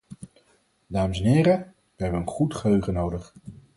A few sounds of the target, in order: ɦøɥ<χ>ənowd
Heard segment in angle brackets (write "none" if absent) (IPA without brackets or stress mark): χ